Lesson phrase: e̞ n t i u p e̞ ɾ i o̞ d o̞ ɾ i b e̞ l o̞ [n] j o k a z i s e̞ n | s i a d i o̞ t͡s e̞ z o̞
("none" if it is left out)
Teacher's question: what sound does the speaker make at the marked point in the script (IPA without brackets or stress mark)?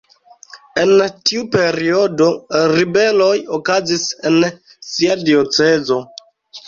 none